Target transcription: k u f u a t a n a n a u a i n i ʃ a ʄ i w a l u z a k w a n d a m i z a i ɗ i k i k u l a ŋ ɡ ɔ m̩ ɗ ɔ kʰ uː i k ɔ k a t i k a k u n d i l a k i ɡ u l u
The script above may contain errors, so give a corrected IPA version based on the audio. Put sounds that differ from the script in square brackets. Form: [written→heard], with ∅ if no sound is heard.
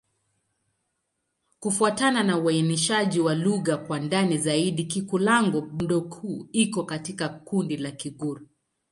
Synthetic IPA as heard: k u f u a t a n a n a u a i n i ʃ a ʄ i w a l u [z→ɣ] a k w a n d a [m→n] i z a i ɗ i k i k u l a ŋ ɡ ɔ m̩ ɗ ɔ kʰ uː i k ɔ k a t i k a k u n d i l a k i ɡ u [l→ɾ] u